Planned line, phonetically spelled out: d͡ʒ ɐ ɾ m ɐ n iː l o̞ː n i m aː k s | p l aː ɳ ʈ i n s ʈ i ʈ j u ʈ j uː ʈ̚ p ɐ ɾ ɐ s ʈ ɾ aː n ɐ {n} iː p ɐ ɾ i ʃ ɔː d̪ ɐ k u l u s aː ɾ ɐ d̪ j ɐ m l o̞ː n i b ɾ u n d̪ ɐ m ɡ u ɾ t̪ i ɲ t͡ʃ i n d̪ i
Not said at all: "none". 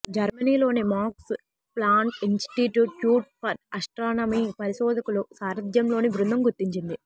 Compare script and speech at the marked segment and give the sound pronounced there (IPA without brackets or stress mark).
m